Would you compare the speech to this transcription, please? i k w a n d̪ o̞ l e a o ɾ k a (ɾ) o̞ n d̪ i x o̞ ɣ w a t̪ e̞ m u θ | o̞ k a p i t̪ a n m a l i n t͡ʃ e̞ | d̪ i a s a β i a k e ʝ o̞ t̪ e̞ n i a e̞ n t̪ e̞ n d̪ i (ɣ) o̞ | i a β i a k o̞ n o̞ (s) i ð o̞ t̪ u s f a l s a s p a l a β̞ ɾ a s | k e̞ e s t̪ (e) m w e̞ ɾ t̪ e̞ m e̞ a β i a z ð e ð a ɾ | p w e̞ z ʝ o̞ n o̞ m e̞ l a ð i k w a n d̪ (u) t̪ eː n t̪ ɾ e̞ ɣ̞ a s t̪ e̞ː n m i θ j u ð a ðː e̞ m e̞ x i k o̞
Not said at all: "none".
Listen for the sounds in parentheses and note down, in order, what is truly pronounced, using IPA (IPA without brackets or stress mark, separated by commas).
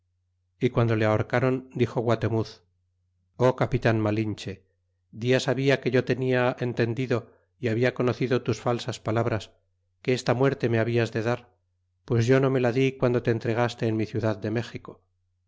ɾ, ð, θ, a, o